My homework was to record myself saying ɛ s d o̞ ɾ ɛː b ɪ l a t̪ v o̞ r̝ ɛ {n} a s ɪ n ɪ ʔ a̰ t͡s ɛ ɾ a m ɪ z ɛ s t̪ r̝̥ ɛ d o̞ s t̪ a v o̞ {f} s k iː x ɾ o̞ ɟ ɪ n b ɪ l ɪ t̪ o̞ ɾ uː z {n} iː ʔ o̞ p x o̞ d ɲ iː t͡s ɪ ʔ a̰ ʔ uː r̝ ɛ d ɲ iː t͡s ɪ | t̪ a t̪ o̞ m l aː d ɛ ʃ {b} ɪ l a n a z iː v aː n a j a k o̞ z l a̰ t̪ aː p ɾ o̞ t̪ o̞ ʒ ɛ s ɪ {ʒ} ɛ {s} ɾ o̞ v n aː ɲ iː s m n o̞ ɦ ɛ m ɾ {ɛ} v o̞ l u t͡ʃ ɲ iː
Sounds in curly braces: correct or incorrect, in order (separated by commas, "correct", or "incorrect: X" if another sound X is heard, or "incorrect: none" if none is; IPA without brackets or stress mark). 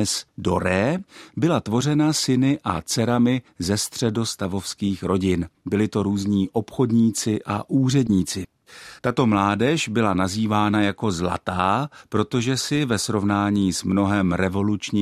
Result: correct, correct, incorrect: ɲ, correct, incorrect: v, correct, correct